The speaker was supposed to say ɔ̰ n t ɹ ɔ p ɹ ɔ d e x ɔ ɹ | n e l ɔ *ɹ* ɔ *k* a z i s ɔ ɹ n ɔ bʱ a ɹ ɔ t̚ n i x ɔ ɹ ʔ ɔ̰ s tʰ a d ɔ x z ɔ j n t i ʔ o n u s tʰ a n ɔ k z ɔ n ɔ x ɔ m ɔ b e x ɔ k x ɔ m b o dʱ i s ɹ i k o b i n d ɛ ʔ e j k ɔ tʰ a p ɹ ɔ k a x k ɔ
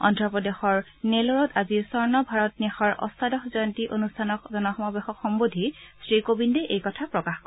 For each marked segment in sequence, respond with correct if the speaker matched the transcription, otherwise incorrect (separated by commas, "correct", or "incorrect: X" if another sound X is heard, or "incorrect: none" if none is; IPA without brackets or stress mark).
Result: correct, incorrect: t